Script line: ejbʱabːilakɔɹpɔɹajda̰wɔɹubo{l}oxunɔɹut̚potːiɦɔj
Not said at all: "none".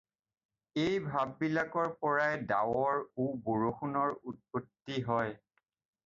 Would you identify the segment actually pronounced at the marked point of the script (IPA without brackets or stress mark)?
ɹ